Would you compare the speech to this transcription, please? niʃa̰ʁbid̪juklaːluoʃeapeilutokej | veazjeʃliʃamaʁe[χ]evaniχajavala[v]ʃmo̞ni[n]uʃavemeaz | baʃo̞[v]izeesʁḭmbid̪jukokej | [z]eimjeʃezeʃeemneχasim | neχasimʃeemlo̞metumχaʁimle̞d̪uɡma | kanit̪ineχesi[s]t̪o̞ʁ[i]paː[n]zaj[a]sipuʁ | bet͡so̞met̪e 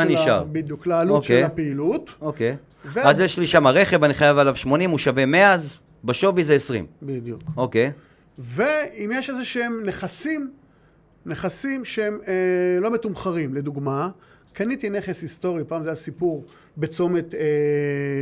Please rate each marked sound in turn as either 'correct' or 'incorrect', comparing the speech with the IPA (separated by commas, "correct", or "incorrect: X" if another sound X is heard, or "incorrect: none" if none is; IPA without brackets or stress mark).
correct, correct, incorrect: m, correct, incorrect: v, correct, correct, incorrect: m, correct